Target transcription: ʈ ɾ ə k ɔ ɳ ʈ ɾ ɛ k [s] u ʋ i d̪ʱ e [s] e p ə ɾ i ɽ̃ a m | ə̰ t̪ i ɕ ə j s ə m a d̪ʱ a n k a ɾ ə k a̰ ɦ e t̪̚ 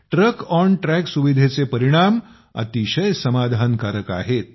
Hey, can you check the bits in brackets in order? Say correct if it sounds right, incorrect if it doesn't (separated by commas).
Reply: correct, incorrect